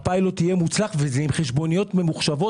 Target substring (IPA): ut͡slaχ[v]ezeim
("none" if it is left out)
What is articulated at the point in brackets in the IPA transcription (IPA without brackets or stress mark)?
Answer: v